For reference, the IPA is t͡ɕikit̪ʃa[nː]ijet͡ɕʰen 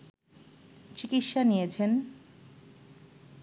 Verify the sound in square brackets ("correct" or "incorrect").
incorrect